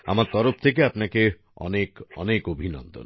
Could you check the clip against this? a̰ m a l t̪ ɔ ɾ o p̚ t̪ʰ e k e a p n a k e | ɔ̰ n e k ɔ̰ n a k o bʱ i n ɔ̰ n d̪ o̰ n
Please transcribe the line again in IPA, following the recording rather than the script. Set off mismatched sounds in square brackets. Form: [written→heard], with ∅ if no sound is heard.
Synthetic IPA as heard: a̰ m a [l→ɾ] t̪ ɔ ɾ o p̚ t̪ʰ e k e a p n a k e | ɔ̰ n e k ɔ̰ n [a→e] k o bʱ i n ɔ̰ n d̪ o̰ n